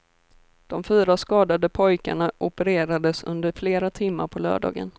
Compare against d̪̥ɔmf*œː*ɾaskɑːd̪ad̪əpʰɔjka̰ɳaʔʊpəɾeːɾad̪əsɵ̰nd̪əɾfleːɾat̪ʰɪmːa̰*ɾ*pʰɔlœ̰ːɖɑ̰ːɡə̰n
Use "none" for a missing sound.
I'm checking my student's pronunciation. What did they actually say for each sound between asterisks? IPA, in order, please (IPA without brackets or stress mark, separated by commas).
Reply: yː, ɾ